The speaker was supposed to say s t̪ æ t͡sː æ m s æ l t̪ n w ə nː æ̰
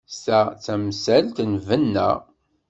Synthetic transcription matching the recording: s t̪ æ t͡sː æ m s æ l t̪ n v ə nː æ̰